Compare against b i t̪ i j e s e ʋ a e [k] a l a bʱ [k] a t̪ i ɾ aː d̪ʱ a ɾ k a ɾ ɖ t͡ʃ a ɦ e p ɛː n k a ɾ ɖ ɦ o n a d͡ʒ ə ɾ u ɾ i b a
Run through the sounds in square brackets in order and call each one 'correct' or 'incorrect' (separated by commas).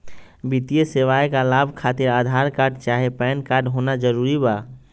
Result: correct, incorrect